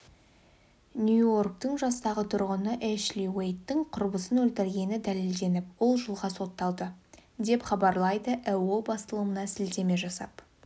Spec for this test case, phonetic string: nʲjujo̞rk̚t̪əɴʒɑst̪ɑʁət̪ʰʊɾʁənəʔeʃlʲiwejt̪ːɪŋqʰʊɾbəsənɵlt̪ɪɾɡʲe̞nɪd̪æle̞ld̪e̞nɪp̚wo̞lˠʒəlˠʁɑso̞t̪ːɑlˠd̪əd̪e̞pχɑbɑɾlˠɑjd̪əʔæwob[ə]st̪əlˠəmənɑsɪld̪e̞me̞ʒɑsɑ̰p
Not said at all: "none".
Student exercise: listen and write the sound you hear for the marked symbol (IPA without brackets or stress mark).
ɑ